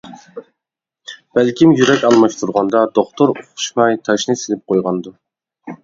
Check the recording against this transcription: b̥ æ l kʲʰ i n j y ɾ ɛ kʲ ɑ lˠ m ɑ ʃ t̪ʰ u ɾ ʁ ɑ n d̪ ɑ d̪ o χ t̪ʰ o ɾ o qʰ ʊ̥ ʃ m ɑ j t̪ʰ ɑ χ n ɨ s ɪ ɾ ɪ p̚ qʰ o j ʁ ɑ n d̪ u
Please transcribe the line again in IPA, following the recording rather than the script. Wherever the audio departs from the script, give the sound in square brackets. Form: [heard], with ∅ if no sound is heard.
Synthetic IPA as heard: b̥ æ l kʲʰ i [m] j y ɾ ɛ kʲ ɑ lˠ m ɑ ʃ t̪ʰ u ɾ ʁ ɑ n d̪ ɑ d̪ o χ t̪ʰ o ɾ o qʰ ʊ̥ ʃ m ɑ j t̪ʰ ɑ [ʃ] n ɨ s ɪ [l] ɪ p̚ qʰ o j ʁ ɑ n d̪ u